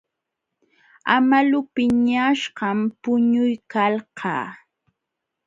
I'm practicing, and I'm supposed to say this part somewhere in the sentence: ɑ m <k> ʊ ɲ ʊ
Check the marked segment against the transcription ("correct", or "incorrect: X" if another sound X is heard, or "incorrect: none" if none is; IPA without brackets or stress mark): incorrect: p